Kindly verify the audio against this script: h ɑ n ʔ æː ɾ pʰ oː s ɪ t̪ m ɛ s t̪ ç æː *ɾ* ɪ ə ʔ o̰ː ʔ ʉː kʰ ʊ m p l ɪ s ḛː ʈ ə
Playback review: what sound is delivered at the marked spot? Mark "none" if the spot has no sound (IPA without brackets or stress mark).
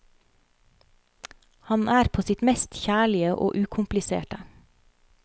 ɭ